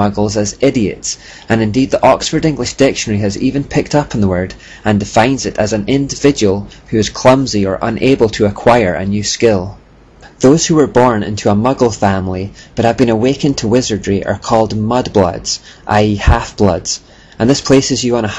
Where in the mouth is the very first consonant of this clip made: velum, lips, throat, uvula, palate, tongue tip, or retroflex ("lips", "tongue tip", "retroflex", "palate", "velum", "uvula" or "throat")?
velum